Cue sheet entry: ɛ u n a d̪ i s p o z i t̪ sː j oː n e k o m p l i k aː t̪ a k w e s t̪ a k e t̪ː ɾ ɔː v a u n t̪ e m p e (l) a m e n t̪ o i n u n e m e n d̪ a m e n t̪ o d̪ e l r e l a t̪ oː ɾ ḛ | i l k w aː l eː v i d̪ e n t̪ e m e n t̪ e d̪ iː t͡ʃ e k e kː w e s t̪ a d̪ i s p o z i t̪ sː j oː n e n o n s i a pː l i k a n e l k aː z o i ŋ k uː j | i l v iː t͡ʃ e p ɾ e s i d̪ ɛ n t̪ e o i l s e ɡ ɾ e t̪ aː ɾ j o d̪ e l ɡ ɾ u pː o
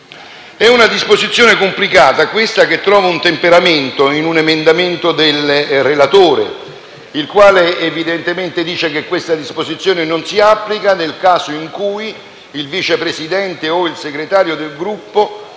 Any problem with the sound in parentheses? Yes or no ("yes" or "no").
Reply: yes